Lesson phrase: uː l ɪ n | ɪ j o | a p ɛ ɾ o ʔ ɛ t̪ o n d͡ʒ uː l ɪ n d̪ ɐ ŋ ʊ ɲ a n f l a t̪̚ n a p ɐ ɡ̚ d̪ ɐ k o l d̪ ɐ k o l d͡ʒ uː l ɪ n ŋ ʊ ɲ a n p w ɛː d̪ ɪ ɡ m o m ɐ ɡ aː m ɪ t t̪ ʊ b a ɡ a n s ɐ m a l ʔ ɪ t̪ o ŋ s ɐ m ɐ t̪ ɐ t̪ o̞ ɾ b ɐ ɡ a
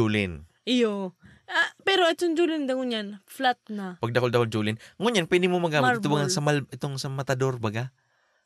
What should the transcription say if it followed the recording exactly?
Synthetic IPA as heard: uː l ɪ n | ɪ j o | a p ɛ ɾ o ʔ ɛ t̪ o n d͡ʒ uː l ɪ n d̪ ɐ ŋ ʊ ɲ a n f l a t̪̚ n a p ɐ ɡ̚ d̪ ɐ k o l d̪ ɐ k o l d͡ʒ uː l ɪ n ŋ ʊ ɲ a n p w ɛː d̪ ɪ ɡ m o m ɐ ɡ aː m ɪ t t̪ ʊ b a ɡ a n s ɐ m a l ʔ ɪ t̪ o ŋ s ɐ m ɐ t̪ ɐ d̪ o̞ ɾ b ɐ ɡ a